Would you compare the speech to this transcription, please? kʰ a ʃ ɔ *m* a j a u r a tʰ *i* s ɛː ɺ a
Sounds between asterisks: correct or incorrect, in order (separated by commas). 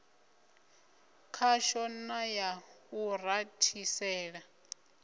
incorrect, correct